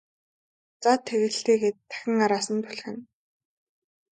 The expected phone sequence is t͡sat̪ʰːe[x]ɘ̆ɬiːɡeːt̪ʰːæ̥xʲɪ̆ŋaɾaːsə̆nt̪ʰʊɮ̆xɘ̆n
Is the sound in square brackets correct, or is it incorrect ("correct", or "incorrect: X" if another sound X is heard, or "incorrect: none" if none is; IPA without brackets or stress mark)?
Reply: incorrect: ɣ